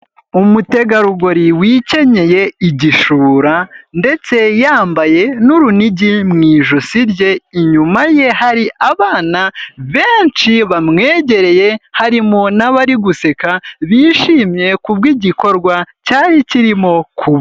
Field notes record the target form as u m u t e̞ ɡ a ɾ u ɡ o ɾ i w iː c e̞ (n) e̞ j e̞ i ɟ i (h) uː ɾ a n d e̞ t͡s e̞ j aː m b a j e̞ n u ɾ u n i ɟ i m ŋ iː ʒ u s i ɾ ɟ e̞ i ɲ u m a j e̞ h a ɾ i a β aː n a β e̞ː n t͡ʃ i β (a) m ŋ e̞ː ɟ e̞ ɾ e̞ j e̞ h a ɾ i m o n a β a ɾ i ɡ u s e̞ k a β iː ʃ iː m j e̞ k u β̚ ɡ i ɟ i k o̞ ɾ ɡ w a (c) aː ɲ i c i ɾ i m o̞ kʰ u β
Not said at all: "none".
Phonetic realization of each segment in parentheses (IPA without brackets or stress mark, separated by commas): ɲ, ʃ, a, c